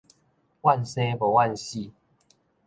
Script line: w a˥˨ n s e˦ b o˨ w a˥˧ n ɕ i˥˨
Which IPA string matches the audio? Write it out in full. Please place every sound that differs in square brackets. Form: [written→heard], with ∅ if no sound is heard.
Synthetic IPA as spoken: w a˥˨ n s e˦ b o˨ w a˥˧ n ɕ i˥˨